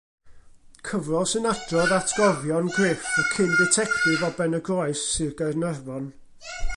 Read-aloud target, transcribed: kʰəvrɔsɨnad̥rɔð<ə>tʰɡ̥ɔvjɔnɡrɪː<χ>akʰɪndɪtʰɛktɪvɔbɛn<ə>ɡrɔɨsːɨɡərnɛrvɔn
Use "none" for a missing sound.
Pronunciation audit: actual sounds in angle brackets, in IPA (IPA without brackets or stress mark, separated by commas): a, f, ə